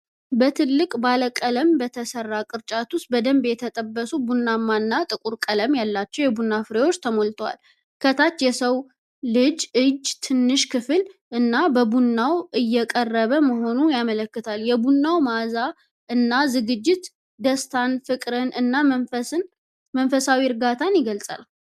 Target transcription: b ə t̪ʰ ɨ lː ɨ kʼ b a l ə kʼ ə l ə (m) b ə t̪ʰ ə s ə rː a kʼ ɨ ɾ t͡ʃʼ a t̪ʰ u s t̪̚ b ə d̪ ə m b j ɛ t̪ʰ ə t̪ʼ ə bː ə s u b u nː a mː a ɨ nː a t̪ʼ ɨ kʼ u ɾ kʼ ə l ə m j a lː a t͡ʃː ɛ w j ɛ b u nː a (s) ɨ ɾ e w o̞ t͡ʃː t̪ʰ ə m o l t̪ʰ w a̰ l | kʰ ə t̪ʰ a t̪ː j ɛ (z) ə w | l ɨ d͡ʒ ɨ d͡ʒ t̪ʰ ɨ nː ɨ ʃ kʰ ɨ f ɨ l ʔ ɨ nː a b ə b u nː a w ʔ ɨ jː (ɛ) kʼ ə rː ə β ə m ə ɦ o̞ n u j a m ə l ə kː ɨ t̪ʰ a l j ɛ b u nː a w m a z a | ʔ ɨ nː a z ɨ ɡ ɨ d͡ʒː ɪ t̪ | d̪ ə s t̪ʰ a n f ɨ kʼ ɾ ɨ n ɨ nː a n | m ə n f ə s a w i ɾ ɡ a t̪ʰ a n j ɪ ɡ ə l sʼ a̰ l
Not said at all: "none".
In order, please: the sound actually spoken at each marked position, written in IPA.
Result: m, f, s, ɛ

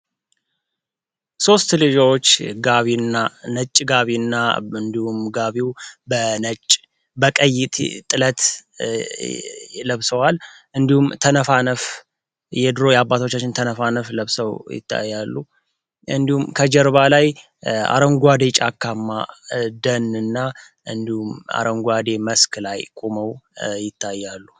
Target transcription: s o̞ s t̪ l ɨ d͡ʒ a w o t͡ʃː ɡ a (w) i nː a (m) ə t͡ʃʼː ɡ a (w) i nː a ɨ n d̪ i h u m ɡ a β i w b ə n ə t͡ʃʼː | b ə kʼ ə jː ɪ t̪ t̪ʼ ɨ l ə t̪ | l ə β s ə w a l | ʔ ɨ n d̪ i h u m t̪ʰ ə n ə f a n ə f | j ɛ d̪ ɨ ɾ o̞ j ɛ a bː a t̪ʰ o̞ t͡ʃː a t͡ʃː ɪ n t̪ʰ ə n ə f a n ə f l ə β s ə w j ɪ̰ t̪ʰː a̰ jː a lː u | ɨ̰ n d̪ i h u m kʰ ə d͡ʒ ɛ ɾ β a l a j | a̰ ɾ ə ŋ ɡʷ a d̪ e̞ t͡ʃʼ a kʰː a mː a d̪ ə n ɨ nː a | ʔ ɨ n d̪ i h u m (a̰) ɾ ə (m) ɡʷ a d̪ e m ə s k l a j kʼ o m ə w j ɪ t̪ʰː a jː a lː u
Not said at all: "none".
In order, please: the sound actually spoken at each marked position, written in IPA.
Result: β, n, β, a̰, ŋ

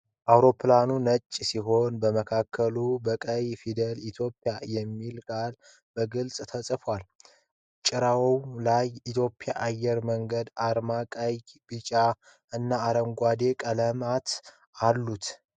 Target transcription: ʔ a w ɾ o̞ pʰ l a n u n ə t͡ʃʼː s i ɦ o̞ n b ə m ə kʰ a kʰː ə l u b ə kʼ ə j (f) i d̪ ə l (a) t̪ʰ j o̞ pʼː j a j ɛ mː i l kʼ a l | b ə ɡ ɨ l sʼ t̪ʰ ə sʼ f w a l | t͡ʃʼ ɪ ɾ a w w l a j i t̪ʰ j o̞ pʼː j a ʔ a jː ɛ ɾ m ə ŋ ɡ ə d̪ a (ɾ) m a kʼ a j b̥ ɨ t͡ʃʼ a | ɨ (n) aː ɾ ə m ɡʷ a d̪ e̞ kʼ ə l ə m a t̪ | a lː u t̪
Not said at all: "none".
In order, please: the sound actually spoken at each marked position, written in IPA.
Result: f, i, ɾ, nː

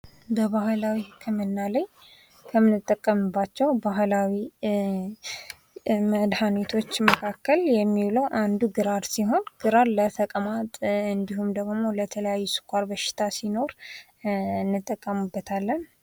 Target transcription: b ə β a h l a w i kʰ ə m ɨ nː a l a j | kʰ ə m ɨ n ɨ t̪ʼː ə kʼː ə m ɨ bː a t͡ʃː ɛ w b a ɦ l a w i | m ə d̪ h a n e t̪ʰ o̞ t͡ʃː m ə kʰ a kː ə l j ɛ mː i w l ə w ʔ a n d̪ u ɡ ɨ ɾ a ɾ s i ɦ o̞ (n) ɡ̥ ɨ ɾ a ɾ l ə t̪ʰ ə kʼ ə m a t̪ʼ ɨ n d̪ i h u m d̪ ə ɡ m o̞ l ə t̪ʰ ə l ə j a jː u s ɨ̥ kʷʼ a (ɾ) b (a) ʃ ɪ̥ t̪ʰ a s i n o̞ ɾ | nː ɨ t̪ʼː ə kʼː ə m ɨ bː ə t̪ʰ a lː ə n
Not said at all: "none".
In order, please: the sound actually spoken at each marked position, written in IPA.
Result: n, ɾ, ə

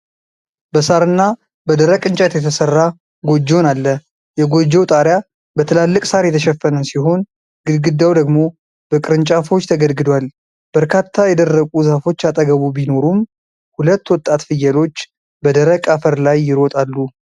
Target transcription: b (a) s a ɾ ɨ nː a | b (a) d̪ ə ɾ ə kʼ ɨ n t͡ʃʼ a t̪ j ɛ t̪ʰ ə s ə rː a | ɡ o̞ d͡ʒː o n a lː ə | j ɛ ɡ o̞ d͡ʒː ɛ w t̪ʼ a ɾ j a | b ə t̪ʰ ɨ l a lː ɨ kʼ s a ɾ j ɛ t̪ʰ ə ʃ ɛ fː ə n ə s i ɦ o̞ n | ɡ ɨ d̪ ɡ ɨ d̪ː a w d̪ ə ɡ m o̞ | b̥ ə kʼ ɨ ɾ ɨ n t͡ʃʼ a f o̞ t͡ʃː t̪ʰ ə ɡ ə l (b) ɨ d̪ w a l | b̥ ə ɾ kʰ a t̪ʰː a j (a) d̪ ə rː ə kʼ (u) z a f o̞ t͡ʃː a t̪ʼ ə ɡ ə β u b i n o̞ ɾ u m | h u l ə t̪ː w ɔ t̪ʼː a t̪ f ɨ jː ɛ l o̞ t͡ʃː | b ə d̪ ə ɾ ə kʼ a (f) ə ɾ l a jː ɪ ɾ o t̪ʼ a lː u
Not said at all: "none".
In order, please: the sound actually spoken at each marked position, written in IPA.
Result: ə, ə, ɡ, ɛ, u, f

